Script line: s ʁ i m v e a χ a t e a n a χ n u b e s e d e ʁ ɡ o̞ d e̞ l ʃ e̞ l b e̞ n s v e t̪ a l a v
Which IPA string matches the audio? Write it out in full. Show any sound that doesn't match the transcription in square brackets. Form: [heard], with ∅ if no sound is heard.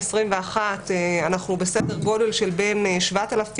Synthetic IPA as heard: s ʁ i m v e a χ a t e a n a χ n u b e s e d e ʁ ɡ o̞ d e̞ l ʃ e̞ l b e̞ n [ʃ] v [a] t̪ a l a [f]